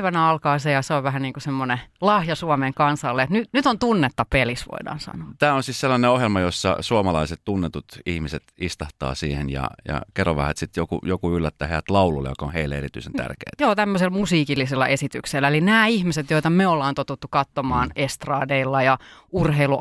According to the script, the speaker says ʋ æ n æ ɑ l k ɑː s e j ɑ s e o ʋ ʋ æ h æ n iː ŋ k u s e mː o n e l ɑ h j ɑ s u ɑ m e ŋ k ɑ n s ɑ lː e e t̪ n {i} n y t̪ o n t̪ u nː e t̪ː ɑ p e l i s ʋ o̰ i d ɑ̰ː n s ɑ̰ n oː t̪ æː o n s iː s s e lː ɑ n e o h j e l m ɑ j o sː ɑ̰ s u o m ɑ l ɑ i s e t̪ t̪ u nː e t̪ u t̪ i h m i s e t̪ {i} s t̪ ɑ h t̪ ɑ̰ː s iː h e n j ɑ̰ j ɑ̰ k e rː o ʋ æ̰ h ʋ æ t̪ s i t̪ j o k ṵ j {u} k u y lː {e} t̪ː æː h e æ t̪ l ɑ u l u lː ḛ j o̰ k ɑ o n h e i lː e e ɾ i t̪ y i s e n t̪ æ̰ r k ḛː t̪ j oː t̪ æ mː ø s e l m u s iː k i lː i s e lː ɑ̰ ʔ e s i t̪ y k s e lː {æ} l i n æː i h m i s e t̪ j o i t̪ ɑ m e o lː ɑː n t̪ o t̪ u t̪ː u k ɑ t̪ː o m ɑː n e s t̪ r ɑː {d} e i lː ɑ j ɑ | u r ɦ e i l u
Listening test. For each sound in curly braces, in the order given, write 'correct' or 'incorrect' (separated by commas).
incorrect, correct, incorrect, incorrect, incorrect, correct